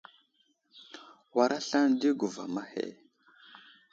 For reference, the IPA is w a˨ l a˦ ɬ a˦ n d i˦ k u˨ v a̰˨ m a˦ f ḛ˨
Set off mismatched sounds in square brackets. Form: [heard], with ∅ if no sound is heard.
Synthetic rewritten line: w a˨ [ɾ] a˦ ɬ a˦ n d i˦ [ɡ] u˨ v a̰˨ m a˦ [h] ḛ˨